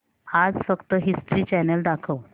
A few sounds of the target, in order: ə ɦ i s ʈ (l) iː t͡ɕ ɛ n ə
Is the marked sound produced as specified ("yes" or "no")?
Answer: no